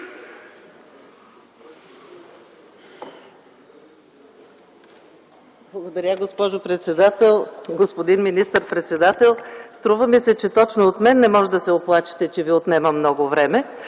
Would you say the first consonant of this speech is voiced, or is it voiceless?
voiced